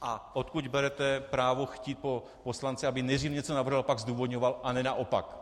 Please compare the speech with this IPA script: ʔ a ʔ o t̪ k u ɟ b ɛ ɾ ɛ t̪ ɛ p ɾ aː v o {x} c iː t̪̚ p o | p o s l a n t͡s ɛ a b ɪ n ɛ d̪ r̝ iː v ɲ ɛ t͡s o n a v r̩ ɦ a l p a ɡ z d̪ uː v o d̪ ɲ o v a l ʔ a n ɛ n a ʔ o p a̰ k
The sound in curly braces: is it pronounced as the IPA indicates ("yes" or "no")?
yes